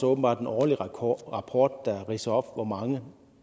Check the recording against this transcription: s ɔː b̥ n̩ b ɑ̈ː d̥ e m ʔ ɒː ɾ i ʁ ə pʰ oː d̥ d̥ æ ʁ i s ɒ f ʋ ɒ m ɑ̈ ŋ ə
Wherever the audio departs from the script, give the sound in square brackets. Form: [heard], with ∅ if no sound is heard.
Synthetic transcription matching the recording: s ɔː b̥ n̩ b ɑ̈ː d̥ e [n] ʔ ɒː [l] i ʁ [ɑ] pʰ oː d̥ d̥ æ ʁ i s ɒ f ʋ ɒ m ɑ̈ ŋ ə

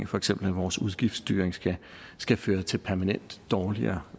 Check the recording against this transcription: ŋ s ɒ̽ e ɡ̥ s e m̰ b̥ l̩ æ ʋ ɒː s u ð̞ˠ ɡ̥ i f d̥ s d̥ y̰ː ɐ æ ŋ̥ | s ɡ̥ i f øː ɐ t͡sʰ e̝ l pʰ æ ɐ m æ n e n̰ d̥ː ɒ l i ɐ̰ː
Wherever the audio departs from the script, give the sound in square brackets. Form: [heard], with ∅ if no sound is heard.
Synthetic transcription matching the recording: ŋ [f] ɒ̽ e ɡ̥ s e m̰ b̥ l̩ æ ʋ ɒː s u ð̞ˠ ɡ̥ i f d̥ s d̥ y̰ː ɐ [e] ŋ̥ | s ɡ̥ [æ] f øː ɐ t͡sʰ e̝ l pʰ æ ɐ m æ n e n̰ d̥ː [ɒː] l i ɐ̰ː

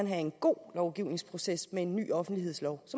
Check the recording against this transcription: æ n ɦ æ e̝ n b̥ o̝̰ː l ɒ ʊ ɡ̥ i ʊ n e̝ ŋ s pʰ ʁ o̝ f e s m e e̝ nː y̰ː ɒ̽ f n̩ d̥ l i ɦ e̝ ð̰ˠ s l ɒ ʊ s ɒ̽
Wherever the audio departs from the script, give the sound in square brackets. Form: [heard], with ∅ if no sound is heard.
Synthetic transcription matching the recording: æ n ɦ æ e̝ n [ɡ̥] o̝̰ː l ɒ ʊ ɡ̥ i ʊ n e̝ ŋ s pʰ ʁ o̝ [s] e s m e e̝ nː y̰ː ɒ̽ f n̩ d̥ l i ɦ e̝ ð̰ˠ s l ɒ ʊ s ɒ̽

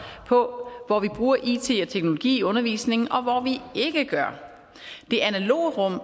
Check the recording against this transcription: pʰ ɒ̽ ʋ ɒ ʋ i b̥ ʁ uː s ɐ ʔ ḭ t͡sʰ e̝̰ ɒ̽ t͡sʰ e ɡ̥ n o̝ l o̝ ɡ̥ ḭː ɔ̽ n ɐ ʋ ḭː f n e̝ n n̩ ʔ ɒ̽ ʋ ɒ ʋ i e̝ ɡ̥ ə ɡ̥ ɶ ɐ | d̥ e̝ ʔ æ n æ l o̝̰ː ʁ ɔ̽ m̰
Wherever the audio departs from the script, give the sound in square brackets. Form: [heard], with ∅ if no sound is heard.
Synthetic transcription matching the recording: pʰ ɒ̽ ʋ ɒ ʋ i b̥ ʁ uː [∅] ɐ ʔ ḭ t͡sʰ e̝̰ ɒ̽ t͡sʰ e ɡ̥ n o̝ l o̝ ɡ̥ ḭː ɔ̽ n ɐ ʋ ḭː [s] n e̝ [ŋ] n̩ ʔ ɒ̽ ʋ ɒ ʋ i e̝ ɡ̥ ə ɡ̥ ɶ ɐ | d̥ e̝ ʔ æ n æ l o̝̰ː ʁ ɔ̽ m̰

